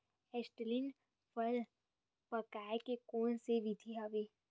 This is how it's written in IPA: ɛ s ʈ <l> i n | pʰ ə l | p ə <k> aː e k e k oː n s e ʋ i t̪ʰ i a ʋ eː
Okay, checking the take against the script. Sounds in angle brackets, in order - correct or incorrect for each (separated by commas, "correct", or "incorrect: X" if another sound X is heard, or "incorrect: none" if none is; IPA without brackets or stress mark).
correct, correct